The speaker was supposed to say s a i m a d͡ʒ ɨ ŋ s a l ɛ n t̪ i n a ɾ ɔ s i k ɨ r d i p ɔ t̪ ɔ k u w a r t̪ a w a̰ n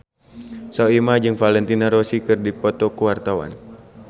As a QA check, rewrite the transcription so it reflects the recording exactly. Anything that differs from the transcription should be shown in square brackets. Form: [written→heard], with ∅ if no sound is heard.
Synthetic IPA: s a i m a d͡ʒ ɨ ŋ [s→f] a l ɛ n t̪ i n a ɾ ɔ s i k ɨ r d i p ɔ t̪ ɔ k u w a r t̪ a w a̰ n